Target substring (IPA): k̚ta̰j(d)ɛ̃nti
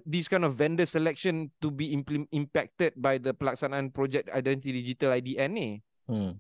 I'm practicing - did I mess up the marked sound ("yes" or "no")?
no